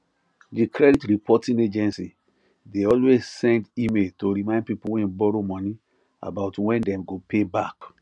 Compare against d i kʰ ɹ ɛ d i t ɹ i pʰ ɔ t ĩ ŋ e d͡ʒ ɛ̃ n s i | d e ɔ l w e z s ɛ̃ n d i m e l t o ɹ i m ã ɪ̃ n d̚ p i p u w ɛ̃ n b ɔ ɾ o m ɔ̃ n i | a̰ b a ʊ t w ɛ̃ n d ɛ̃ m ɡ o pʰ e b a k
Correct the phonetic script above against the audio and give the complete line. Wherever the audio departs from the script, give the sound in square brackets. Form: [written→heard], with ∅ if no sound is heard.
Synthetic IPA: d i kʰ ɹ ɛ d i t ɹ i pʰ ɔ t ĩ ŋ e d͡ʒ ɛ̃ n s i | d e ɔ l w e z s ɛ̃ n d i m e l t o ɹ i m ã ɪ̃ n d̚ p i p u w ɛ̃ n b ɔ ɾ o m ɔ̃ n i | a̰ b a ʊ t w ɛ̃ n d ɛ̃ m ɡ o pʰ e b a k